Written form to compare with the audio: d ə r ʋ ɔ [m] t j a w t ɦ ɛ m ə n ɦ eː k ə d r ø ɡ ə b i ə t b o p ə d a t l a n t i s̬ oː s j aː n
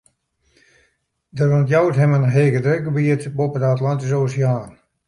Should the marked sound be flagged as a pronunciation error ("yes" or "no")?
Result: yes